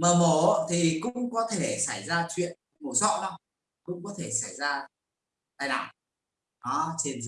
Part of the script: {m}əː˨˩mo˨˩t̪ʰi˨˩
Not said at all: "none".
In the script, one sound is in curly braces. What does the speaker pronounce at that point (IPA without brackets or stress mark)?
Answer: m